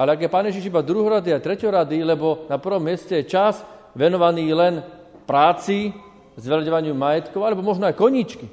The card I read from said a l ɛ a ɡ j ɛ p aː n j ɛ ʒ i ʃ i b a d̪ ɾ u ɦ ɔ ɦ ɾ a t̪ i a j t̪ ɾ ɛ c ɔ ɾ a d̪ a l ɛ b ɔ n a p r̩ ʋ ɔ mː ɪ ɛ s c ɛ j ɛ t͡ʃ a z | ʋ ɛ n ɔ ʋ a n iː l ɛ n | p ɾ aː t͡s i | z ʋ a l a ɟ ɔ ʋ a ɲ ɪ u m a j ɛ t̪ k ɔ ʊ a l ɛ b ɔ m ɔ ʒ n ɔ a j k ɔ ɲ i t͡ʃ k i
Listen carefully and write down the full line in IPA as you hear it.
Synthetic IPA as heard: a l ɛ a ɡ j ɛ p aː n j ɛ ʒ i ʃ i b a d̪ ɾ u ɦ ɔ ɾ a d̪ i a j t̪ ɾ ɛ c ɔ ɾ a d̪ i l ɛ b ɔ n a p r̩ ʋ ɔ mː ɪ ɛ s c ɛ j ɛ t͡ʃ a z | ʋ ɛ n ɔ ʋ a n iː l ɛ n | p ɾ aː t͡s i | z ʋ ɛ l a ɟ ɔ ʋ a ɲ ɪ u m a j ɛ t̪ k ɔ ʊ a l ɛ b ɔ m ɔ ʒ n ɔ a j k ɔ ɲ i t͡ʃ k i